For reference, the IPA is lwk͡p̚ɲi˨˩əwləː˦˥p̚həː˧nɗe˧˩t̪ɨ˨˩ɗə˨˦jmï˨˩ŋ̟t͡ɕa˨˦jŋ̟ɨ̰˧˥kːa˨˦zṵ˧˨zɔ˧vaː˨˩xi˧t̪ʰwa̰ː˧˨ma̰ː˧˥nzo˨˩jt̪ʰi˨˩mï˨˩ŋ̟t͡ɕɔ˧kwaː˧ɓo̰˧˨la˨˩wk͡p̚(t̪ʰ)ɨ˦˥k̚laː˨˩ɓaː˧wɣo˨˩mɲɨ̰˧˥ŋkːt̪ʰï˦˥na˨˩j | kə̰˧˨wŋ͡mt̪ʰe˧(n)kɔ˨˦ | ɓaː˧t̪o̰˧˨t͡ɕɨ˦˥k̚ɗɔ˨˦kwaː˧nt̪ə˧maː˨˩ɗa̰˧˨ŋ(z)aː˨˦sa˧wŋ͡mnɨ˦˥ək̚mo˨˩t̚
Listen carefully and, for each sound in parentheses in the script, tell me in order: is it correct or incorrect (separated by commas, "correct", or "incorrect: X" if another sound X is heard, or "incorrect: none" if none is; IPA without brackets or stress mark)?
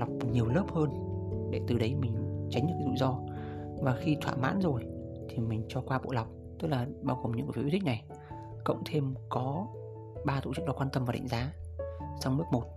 incorrect: t̪, incorrect: m, correct